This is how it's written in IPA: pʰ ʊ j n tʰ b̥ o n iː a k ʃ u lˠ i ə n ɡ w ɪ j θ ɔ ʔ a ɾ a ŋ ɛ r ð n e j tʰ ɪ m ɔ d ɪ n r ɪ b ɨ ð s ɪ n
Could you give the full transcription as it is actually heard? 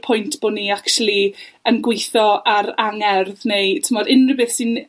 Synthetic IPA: pʰ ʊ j n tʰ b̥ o n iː a k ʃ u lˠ i ə n ɡ w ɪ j θ ɔ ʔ a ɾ a ŋ ɛ r ð n e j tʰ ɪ m ɔ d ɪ n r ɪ b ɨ θ s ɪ n

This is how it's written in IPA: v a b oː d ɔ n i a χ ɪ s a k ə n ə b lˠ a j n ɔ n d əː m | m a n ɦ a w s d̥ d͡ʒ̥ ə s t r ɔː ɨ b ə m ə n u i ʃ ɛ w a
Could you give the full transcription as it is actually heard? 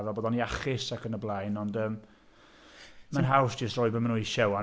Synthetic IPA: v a b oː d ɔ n i a χ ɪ s a k ə n ə b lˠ a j n ɔ n d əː m | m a n ɦ a w s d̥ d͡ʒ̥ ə s t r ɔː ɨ b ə m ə n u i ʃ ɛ w a

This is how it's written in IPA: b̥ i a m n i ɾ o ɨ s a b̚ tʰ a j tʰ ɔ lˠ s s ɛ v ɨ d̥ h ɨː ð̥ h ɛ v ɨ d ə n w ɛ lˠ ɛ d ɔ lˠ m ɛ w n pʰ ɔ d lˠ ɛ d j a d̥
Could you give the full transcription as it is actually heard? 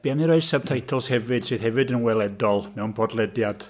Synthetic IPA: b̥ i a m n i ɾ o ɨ s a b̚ tʰ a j tʰ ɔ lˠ s h ɛ v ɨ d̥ s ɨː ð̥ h ɛ v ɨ d ə n w ɛ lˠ ɛ d ɔ lˠ m ɛ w n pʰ ɔ d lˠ ɛ d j a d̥

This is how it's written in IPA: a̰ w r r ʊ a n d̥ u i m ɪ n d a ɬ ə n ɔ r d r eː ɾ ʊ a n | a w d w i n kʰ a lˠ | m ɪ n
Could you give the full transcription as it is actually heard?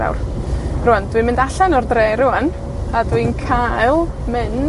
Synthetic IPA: a̰ w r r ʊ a n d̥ w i m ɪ n d a ɬ a n ɔ r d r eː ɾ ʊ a n | a d w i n kʰ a lˠ | m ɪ n

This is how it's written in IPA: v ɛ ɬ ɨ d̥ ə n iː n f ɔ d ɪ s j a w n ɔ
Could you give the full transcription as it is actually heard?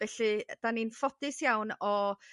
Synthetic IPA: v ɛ ɬ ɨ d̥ a n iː n f ɔ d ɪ s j a w n ɔ

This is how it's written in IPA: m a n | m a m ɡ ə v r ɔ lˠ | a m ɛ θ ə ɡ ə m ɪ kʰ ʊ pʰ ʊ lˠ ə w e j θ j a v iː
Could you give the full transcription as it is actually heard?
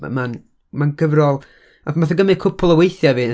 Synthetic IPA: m a n | m a n ɡ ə v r ɔ lˠ | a m a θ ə ɡ ə m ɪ kʰ ʊ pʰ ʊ lˠ ə w e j θ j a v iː

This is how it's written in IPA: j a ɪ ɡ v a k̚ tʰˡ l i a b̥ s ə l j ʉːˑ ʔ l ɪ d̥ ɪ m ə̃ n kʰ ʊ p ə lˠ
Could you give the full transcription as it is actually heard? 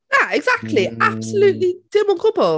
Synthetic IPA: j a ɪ ɡ z a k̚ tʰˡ l i a b̥ s ə l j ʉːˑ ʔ l i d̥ ɪ m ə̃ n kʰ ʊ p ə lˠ

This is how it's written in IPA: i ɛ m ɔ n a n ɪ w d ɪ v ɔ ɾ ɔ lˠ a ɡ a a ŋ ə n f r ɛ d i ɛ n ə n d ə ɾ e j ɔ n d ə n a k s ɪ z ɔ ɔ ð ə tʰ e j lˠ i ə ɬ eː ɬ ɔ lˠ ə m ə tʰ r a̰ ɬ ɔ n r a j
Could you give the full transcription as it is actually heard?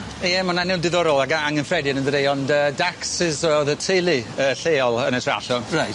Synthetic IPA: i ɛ m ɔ n a n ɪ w d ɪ ð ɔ ɾ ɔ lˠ a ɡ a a ŋ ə n f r ɛ d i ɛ n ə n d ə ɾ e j ɔ n d ə d a k s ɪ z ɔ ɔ ð ə tʰ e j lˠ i ə ɬ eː ɔ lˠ ə n ə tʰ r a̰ ɬ ɔ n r a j

